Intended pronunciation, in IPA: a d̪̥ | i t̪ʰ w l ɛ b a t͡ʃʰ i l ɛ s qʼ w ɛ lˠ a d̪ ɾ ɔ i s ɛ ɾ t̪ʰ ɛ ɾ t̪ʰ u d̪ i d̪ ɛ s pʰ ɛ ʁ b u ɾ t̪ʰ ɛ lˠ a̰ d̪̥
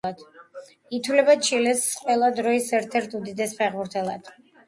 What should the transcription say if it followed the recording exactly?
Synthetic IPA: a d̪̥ | i t̪ʰ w l ɛ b a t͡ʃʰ i l ɛ s qʼ w ɛ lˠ a d̪ ɾ ɔ i s ɛ ɾ t̪ʰ ɛ ɾ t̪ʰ u d̪ i d̪ ɛ s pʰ ɛ ʁ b u ɾ t̪ʰ ɛ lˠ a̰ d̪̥